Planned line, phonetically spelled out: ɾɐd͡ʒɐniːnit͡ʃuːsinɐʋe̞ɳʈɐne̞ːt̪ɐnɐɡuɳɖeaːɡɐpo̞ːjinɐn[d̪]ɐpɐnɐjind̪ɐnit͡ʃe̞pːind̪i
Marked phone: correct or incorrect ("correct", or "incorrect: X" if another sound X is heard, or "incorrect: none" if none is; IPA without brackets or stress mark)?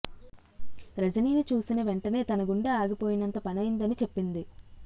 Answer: incorrect: t̪